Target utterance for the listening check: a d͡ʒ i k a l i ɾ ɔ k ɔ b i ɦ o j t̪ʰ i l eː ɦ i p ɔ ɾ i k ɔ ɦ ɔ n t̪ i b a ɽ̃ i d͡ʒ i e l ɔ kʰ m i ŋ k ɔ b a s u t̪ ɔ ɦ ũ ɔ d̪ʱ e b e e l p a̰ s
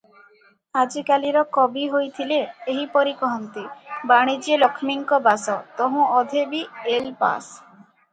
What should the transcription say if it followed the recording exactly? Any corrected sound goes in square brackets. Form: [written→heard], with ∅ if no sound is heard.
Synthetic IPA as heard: a d͡ʒ i k a l i ɾ ɔ k ɔ b i ɦ o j t̪ʰ i l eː ɦ i p ɔ ɾ i k ɔ ɦ ɔ n t̪ i b a ɽ̃ i d͡ʒ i e l ɔ kʰ m i ŋ k ɔ b a s [u→ɔ] t̪ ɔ ɦ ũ ɔ d̪ʱ e b [e→i] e l p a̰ s